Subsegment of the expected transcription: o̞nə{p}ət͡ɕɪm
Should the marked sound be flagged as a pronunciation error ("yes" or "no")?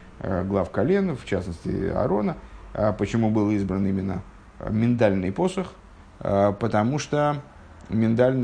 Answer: no